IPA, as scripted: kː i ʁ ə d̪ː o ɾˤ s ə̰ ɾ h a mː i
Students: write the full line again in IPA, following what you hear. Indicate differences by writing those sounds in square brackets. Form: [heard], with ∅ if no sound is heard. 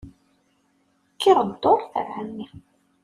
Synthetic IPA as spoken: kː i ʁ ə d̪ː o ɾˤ [θ] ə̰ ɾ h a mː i